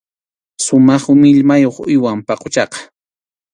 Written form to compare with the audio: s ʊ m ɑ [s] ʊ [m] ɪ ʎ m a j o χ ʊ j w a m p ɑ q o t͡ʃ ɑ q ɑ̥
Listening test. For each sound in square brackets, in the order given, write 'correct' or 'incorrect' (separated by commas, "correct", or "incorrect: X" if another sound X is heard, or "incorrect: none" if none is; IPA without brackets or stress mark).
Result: incorrect: χ, correct